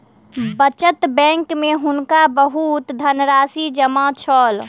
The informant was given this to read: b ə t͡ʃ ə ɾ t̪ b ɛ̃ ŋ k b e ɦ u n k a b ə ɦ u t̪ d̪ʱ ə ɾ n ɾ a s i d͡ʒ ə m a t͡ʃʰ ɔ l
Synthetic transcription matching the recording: b ə t͡ʃ ə t̪ b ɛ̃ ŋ k m e ɦ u n k a b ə ɦ u t̪ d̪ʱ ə n ɾ a s i d͡ʒ ə m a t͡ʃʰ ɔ l